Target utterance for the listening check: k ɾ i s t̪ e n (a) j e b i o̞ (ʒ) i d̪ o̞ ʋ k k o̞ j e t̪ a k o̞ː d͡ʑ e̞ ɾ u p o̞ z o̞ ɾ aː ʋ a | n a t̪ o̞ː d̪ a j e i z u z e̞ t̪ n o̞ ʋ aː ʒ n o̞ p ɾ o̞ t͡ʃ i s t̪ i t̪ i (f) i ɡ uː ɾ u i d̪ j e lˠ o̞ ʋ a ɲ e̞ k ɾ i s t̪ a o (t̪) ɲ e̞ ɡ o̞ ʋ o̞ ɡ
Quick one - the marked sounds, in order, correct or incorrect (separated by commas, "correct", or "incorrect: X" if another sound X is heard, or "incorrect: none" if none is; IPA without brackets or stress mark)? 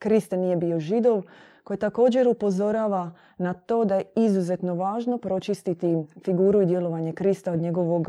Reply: incorrect: i, correct, correct, incorrect: d̪